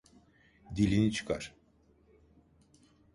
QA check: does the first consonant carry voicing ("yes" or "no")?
yes